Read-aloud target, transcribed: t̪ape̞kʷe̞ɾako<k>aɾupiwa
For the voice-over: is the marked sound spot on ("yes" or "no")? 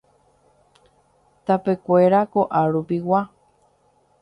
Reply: no